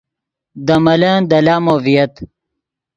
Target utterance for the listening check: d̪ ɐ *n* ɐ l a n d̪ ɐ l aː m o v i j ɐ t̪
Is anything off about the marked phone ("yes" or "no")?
yes